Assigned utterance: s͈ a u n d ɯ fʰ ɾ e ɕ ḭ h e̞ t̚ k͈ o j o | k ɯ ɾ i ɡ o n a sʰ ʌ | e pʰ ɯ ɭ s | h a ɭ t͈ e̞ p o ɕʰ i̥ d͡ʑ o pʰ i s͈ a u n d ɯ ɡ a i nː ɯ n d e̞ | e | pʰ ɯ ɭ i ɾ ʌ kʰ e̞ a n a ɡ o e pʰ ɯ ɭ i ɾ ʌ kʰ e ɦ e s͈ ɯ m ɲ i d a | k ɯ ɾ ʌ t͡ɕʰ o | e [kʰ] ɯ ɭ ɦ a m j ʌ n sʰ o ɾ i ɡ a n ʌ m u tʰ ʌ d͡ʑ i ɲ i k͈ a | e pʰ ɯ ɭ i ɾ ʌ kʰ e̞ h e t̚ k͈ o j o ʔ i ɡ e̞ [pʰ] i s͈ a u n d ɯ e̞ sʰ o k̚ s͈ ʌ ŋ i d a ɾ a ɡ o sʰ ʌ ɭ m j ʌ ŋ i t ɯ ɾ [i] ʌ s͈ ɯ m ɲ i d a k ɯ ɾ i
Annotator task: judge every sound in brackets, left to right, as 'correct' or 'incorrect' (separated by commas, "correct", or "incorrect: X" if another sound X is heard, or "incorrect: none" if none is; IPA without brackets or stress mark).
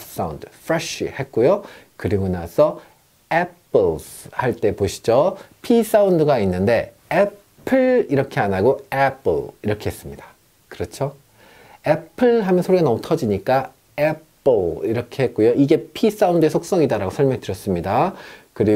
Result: incorrect: pʰ, correct, incorrect: j